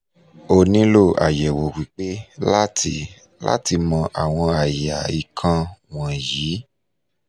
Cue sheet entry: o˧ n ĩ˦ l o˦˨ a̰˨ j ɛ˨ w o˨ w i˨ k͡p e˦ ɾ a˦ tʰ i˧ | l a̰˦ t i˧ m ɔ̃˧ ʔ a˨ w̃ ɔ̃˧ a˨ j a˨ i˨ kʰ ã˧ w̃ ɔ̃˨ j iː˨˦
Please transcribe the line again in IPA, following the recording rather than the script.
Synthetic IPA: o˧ n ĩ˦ l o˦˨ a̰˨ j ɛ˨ w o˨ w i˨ k͡p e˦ l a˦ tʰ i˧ | l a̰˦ t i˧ m ɔ̃˧ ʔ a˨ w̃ ɔ̃˧ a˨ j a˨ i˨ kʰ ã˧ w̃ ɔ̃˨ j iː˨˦